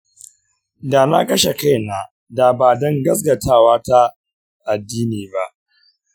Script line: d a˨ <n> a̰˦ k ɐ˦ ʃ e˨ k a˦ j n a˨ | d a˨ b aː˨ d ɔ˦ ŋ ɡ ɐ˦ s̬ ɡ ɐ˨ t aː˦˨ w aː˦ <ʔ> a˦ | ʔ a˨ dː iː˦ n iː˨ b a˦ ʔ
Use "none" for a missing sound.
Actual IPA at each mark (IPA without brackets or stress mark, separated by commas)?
n, t